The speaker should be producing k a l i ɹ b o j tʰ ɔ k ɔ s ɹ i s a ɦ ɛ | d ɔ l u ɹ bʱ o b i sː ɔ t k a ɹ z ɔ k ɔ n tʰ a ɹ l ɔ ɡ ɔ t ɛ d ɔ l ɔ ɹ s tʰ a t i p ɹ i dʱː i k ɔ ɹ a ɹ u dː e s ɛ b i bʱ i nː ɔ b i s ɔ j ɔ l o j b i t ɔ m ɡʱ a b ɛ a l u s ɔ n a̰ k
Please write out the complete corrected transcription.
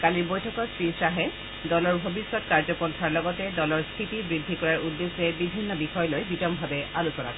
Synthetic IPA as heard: k a l i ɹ b o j tʰ ɔ k ɔ s ɹ i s a ɦ ɛ | d ɔ l ɔ ɹ bʱ o b i sː ɔ t k a ɹ z ɔ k ɔ n tʰ a ɹ l ɔ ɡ ɔ t ɛ d ɔ l ɔ ɹ s tʰ i t i b ɹ i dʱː i k ɔ ɹ a ɹ u dː e s ɛ b i bʱ i nː ɔ b i x ɔ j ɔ l o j b i t ɔ m bʱ a b ɛ a l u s ɔ n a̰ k